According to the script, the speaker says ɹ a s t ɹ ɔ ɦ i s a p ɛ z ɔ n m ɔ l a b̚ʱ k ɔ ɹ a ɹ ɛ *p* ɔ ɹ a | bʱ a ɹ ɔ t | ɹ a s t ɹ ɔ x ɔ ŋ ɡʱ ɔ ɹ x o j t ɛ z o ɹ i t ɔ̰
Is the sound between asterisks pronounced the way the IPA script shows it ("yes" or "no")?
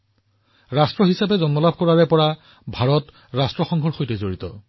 yes